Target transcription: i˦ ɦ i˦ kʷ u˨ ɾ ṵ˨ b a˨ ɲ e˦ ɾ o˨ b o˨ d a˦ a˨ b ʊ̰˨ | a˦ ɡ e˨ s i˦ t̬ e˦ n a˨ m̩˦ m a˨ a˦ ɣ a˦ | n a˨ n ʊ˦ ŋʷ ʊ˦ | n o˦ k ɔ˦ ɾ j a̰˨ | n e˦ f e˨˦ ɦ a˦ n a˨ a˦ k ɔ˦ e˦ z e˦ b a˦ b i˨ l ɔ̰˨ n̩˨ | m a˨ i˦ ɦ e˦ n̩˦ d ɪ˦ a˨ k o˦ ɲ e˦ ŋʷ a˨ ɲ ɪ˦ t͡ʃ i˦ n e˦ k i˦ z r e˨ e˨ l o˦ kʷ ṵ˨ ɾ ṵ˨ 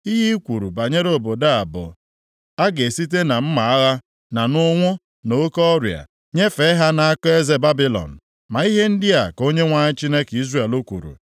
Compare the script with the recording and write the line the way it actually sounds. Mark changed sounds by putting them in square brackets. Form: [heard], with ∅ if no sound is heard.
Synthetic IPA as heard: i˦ ɦ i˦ kʷ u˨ ɾ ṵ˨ b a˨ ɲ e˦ ɾ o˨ b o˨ d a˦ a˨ b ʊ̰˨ | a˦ ɡ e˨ s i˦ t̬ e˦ n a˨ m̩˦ m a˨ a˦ ɣ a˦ | n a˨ n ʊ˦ ŋʷ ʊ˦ | n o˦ k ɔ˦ ɾ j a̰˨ | [ɲ] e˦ f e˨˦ ɦ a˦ n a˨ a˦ k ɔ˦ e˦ z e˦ b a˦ b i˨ l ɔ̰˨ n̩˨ | m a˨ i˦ ɦ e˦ n̩˦ d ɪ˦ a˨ k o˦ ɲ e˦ ŋʷ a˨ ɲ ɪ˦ t͡ʃ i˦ n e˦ k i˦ z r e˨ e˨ l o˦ kʷ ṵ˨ ɾ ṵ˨